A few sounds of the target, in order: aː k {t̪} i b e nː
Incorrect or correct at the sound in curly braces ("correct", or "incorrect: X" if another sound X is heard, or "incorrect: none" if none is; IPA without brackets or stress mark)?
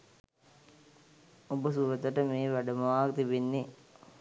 correct